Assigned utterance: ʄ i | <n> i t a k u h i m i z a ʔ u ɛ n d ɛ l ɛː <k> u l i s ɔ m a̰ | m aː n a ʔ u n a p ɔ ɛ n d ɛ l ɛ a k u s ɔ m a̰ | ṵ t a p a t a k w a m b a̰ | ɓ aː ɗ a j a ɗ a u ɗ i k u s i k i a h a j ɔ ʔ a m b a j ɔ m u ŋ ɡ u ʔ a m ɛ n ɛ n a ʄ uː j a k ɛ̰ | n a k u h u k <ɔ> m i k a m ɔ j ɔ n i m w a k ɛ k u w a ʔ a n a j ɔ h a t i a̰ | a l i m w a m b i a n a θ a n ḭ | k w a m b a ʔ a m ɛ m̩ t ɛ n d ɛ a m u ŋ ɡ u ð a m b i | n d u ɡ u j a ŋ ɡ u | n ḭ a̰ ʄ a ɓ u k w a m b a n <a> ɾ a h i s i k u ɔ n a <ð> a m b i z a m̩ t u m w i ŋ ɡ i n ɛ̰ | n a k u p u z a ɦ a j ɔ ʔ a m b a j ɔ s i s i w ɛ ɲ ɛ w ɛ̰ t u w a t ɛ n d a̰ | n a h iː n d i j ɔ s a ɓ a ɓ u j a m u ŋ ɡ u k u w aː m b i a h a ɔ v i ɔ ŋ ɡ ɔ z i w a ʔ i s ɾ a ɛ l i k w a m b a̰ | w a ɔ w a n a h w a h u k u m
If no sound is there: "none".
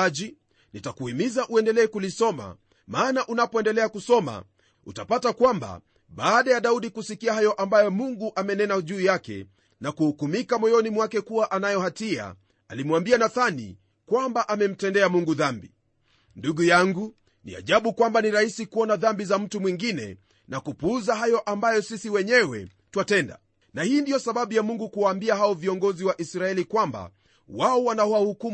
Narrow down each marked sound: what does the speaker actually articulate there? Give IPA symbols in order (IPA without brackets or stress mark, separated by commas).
n, k, u, i, ð